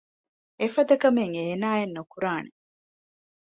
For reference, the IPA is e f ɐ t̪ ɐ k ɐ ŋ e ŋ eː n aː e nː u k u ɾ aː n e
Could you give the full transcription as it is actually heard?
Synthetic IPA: e f ɐ d̪ ɐ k ɐ m e ŋ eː n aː e nː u k u ɾ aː n e